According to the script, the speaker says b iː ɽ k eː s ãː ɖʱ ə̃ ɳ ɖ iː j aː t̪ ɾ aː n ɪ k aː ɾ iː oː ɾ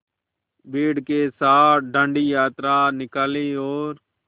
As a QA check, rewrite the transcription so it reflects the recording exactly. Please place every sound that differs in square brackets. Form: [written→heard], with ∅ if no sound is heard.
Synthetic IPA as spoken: b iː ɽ k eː s [ãː→aː] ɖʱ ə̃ ɳ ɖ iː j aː t̪ ɾ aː n ɪ k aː [ɾ→l] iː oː ɾ